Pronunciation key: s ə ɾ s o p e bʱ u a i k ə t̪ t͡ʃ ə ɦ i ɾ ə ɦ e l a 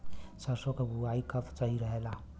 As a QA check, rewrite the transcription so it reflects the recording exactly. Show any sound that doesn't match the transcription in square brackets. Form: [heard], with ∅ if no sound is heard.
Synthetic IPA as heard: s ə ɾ s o [k] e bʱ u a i k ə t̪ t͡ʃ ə ɦ i ɾ ə ɦ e l a